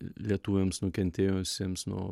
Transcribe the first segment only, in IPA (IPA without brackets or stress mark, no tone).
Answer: lʲ